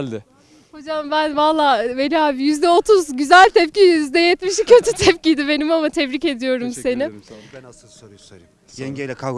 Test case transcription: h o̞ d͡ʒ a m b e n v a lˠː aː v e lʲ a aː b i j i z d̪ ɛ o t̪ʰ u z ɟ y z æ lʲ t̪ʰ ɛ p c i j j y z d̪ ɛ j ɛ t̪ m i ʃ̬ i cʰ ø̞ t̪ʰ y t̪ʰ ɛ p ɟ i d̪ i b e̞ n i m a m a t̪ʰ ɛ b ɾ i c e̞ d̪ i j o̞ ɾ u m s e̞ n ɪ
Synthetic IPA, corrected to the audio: h o̞ d͡ʒ a m b æ n v a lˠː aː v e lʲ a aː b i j y z d̪ ɛ o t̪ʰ u z ɟ y z æ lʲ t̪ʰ ɛ p c i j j y z d̪ ɛ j ɛ t̪ m i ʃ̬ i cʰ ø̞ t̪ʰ y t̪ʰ ɛ p c i d̪ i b e̞ n i m a m a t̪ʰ ɛ b ɾ i c e̞ d̪ i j o̞ ɾ u m s e̞ n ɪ